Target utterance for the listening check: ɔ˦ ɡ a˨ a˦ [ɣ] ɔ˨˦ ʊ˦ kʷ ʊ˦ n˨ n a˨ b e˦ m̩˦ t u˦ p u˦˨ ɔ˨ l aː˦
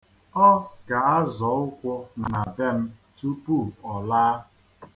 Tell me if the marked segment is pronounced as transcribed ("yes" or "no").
no